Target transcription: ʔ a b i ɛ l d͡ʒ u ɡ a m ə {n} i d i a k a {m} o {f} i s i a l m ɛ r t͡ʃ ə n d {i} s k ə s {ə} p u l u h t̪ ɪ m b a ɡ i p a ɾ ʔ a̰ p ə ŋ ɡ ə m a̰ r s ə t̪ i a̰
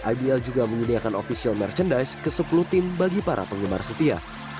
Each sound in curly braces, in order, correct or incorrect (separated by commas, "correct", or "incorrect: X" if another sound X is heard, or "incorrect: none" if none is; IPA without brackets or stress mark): incorrect: ɲ, incorrect: n, correct, incorrect: a, correct